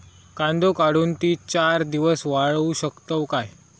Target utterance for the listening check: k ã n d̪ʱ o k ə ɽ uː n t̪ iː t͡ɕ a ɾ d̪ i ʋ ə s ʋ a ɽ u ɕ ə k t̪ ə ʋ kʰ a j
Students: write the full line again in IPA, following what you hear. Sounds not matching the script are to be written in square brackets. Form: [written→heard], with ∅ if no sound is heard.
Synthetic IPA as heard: k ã n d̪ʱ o k [ə→a] ɽ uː n t̪ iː t͡ɕ a ɾ d̪ i ʋ ə s ʋ a [ɽ→ɭ] u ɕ ə k t̪ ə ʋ [kʰ→k] a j